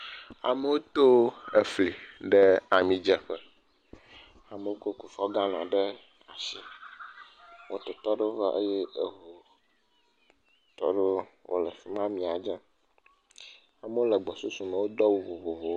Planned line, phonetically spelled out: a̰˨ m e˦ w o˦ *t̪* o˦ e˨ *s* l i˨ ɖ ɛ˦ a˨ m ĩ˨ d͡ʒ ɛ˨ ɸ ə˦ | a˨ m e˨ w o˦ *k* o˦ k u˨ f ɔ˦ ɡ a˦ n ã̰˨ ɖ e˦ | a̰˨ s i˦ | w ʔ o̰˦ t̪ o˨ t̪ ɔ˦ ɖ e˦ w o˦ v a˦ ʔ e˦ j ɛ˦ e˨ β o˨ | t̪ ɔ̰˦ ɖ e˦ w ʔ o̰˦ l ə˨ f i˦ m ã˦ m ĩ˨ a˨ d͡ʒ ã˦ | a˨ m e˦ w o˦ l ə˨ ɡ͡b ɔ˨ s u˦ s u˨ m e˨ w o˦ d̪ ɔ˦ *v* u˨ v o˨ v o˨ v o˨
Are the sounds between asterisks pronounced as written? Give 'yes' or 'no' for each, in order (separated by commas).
yes, no, yes, no